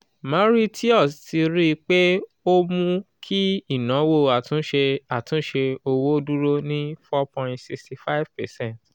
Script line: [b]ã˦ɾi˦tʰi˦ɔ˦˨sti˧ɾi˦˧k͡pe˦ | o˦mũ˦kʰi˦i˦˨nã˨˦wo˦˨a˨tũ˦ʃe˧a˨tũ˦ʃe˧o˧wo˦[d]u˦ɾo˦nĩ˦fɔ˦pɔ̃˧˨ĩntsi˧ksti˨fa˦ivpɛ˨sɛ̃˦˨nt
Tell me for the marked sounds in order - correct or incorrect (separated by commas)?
incorrect, correct